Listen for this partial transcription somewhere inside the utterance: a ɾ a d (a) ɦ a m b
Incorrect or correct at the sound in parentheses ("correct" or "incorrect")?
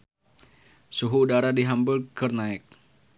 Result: incorrect